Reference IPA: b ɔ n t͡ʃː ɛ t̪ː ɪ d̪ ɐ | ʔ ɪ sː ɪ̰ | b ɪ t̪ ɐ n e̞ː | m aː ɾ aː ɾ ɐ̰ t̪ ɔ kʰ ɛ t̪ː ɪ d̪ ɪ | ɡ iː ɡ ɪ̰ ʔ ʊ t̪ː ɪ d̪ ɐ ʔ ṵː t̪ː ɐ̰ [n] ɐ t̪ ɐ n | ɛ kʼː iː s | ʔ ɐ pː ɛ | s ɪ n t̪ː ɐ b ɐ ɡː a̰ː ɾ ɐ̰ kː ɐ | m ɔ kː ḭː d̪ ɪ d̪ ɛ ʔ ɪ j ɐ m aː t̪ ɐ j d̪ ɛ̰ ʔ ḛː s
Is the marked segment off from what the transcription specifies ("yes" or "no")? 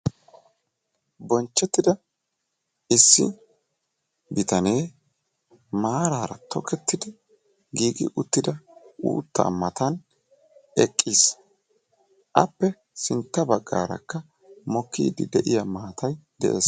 yes